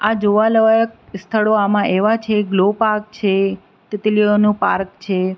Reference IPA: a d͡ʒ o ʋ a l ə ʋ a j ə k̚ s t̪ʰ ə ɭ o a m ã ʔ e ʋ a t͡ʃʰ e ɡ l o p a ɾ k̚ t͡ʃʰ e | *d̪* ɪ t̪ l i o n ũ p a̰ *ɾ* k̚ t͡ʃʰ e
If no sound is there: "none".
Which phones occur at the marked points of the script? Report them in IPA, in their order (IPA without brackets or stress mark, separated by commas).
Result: t̪, ɾ